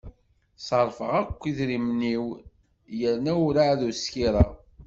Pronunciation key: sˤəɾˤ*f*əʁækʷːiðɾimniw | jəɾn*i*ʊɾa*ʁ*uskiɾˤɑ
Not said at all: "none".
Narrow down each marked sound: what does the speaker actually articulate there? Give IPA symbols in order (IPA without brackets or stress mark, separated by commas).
f, æ, ð